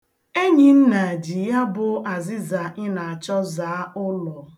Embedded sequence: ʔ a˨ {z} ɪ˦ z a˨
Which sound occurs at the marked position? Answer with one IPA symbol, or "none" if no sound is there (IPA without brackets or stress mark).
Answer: z